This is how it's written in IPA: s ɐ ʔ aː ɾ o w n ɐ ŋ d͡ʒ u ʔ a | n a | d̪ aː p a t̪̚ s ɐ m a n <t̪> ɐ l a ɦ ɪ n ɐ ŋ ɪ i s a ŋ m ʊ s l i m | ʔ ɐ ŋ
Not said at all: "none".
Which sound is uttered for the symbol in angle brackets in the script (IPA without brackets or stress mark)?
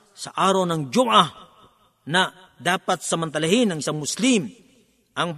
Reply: t̪